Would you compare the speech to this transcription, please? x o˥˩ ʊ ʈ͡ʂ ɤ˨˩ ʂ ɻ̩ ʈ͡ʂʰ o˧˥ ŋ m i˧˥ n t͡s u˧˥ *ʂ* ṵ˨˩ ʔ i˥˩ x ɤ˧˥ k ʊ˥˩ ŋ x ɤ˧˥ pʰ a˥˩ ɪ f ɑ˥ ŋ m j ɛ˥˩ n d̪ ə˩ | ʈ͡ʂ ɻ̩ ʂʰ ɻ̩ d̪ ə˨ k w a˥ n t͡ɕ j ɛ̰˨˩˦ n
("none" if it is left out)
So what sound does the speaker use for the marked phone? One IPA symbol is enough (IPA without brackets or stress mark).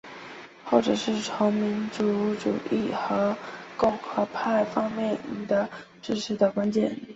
ʈ͡ʂ